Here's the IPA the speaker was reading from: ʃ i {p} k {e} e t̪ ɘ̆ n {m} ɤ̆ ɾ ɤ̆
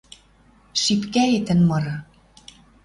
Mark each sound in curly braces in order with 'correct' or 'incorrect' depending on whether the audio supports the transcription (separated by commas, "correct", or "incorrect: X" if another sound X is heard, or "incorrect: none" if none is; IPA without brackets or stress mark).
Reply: correct, incorrect: æ, correct